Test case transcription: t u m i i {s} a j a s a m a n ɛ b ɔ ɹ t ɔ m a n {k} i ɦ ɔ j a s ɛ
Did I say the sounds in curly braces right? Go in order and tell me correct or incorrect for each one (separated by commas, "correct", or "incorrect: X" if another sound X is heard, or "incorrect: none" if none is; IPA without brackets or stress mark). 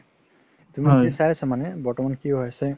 correct, correct